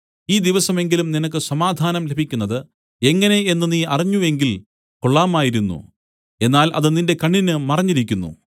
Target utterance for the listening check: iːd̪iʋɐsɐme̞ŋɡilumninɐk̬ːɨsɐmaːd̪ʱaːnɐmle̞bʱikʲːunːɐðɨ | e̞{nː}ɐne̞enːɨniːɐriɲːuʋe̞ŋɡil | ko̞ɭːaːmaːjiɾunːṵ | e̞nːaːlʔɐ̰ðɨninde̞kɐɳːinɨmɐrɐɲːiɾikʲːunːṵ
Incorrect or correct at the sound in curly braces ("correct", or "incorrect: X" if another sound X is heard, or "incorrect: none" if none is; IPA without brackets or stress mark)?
incorrect: ŋː